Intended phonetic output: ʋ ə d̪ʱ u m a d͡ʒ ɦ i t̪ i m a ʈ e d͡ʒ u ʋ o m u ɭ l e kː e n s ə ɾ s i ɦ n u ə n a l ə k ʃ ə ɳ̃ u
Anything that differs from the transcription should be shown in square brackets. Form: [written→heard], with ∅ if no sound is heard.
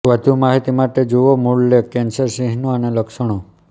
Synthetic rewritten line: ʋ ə d̪ʱ u m a [d͡ʒ→∅] ɦ i t̪ i m a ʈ e d͡ʒ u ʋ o m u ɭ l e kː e n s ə ɾ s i ɦ n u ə n [a→e] l ə k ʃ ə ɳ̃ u